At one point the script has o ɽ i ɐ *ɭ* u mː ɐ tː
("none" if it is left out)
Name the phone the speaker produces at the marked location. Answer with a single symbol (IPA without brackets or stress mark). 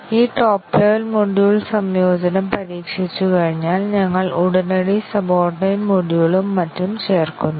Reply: ɭ